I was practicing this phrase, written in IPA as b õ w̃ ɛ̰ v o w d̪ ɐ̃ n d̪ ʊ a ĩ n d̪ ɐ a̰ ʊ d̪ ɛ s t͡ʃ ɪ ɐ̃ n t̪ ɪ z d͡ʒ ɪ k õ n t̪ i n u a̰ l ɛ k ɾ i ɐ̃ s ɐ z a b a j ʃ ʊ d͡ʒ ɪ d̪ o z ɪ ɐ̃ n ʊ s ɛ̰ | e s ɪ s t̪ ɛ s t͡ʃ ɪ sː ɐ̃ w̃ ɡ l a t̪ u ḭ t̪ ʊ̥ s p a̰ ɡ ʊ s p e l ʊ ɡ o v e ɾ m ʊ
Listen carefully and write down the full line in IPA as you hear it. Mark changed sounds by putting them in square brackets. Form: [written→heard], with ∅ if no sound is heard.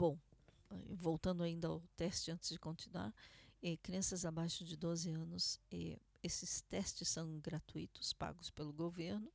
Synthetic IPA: b õ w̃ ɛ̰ v o w [d̪→t̪] ɐ̃ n d̪ ʊ a ĩ n d̪ ɐ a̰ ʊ [d̪→t̪] ɛ s t͡ʃ ɪ ɐ̃ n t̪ ɪ z d͡ʒ ɪ k õ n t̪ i n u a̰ [l→ɾ] ɛ k ɾ i ɐ̃ s ɐ z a b a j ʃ ʊ d͡ʒ ɪ d̪ o z ɪ ɐ̃ n ʊ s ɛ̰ | e s ɪ s t̪ ɛ s t͡ʃ ɪ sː ɐ̃ w̃ ɡ [l→ɾ] a t̪ u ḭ t̪ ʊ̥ s p a̰ ɡ ʊ s p e l ʊ ɡ o v e ɾ [m→n] ʊ